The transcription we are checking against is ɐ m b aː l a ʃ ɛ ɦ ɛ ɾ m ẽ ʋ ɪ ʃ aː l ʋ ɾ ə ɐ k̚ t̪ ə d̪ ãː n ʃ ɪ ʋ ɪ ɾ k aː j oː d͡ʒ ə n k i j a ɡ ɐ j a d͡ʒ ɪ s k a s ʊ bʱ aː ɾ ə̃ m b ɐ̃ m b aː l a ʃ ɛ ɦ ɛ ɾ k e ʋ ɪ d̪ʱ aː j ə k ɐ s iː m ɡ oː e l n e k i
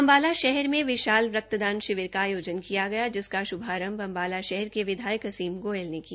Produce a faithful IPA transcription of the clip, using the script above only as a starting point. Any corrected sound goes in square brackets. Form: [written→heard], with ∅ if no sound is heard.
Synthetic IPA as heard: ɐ m b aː l a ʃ ɛ ɦ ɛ ɾ m ẽ ʋ ɪ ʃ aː l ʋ ɾ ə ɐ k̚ t̪ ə d̪ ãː n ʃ ɪ ʋ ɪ ɾ k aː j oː d͡ʒ ə n k i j a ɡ ɐ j a d͡ʒ ɪ s k a [s→ʃ] ʊ bʱ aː ɾ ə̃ m b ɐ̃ m b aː l a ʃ ɛ ɦ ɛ ɾ k e ʋ ɪ d̪ʱ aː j ə k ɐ s iː m ɡ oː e l n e k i

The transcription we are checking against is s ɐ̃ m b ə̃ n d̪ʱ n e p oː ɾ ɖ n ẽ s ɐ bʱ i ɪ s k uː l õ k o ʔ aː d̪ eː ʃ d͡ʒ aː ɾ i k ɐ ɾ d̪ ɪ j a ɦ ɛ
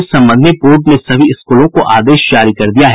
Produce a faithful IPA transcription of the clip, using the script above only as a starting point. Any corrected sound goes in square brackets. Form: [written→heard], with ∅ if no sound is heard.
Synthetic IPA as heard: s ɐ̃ m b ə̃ n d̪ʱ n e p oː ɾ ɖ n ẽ s ɐ bʱ i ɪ s k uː l õ k o ʔ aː d̪ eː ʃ d͡ʒ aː ɾ i k ɐ ɾ d̪ [ɪ→i] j a ɦ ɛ

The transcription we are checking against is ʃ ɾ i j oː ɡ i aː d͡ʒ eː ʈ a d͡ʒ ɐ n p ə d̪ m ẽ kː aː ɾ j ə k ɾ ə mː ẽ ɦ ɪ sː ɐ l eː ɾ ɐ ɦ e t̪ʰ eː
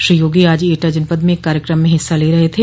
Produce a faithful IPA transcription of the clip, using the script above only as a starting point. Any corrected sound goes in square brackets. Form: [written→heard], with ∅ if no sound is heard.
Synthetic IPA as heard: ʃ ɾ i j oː ɡ i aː d͡ʒ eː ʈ a d͡ʒ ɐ n p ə d̪ m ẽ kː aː ɾ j ə k ɾ ə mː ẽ ɦ ɪ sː [ɐ→a] l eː ɾ ɐ ɦ e t̪ʰ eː

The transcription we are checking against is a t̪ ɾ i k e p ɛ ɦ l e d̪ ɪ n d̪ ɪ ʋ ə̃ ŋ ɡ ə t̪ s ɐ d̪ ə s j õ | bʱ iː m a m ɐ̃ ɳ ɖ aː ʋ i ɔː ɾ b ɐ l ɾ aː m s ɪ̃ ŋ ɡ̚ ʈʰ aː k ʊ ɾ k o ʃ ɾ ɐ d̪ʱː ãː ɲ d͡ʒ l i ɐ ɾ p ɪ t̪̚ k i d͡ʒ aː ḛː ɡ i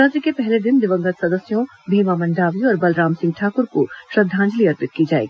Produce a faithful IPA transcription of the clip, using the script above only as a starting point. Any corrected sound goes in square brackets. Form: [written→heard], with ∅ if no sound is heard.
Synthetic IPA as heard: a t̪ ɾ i k e p ɛ ɦ l e d̪ ɪ n d̪ ɪ ʋ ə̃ ŋ ɡ ə t̪ s ɐ d̪ ə s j õ | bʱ iː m a m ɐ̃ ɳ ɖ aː ʋ i ɔː ɾ b ɐ l ɾ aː m s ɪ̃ ŋ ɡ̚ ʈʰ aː k ʊ ɾ k o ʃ ɾ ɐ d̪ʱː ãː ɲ d͡ʒ l i ɐ ɾ p ɪ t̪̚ k i d͡ʒ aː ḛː ɡ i

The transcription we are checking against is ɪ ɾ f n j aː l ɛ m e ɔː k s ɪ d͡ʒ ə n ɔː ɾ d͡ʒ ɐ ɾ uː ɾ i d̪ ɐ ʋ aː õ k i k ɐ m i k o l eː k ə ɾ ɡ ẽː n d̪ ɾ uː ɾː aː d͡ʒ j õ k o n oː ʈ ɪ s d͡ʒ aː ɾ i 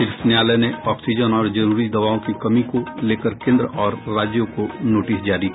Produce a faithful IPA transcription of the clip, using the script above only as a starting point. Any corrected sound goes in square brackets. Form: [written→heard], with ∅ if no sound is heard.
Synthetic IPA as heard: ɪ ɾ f n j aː l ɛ [m→n] e ɔː k s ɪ d͡ʒ ə n ɔː ɾ d͡ʒ ɐ ɾ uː ɾ i d̪ ɐ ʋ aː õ k i k ɐ m i k o l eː k ə ɾ [ɡ→k] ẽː n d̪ ɾ [uː→ɔː] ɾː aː d͡ʒ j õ k o n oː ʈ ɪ s d͡ʒ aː ɾ i

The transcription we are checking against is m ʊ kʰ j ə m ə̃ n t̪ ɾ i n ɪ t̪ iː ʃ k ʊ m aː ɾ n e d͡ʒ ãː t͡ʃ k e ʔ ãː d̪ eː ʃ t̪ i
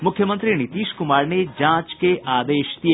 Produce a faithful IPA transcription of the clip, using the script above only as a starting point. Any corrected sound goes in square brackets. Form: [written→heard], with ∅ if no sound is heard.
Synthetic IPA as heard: m ʊ kʰ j ə m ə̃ n t̪ ɾ i n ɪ t̪ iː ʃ k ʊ m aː ɾ n e d͡ʒ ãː t͡ʃ k e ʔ [ãː→aː] d̪ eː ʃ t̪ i

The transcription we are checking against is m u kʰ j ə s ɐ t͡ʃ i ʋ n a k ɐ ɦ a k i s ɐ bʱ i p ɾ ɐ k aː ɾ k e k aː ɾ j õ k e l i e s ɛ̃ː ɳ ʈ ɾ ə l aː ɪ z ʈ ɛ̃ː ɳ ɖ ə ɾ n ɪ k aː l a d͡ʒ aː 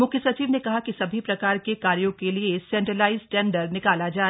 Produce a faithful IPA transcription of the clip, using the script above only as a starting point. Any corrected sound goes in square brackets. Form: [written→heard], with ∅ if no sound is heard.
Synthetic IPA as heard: m [u→ʊ] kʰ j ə s ɐ t͡ʃ [i→iː] ʋ n [a→e] k ɐ ɦ a k i s ɐ bʱ i p ɾ ɐ k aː ɾ k e k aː ɾ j õ k e l i e s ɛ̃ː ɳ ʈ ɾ ə l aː ɪ z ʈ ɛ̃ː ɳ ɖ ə ɾ n ɪ k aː l a d͡ʒ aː

